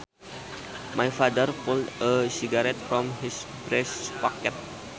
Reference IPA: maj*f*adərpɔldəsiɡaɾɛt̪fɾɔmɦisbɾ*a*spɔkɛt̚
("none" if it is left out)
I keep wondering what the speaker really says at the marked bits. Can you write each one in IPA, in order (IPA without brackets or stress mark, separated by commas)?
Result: f, ɛ